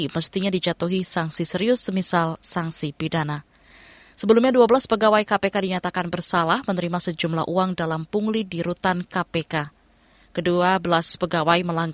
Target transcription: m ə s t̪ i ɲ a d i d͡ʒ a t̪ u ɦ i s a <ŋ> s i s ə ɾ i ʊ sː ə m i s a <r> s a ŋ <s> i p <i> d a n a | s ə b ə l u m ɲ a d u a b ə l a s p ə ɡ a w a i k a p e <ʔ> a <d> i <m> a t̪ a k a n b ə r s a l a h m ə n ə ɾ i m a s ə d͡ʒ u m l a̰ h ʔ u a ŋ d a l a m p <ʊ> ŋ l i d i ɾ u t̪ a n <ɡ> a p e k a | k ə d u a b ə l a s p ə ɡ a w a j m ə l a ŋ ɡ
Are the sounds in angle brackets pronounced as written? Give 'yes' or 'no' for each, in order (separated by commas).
yes, no, yes, yes, no, yes, no, no, no